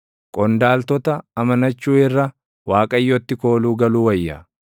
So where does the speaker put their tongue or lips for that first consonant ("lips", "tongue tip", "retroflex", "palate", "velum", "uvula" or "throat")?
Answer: velum